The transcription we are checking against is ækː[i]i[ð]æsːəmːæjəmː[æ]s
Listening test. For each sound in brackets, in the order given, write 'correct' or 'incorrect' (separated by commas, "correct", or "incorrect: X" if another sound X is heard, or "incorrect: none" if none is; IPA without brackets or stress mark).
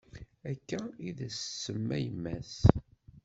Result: incorrect: æ, correct, correct